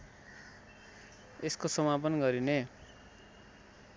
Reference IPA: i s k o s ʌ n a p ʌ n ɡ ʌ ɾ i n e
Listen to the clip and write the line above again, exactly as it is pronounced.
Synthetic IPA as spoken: e s k o s ʌ m a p ʌ n ɡ ʌ ɾ i n e